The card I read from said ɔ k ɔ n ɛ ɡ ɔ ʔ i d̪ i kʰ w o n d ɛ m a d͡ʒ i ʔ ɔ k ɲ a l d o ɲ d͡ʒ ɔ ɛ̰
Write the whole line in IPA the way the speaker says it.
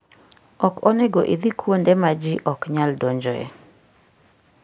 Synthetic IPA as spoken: ɔ k ɔ n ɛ ɡ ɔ ʔ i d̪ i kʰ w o n d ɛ m a d͡ʒ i ʔ ɔ k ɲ a l d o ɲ d͡ʒ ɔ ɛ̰